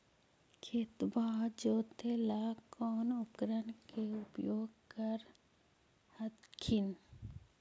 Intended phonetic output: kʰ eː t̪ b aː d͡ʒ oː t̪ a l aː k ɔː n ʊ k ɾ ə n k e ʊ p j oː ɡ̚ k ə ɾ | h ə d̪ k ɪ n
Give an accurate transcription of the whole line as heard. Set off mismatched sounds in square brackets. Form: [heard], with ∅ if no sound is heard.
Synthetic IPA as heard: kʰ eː t̪ b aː d͡ʒ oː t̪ [e] l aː k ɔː n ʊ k ɾ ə n k e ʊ p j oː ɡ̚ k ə ɾ | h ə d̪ [kʰ] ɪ n